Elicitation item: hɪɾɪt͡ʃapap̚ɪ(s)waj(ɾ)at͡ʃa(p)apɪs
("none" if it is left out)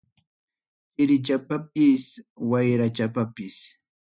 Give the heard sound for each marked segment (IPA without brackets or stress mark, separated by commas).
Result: s, ɾ, p